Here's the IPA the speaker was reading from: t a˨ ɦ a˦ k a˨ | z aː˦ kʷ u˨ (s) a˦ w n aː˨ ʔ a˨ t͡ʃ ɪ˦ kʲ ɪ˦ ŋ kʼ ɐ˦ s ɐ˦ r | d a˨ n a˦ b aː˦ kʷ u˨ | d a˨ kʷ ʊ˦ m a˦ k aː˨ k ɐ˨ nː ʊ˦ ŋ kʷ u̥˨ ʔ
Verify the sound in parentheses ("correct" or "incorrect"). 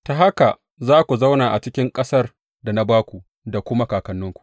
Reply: incorrect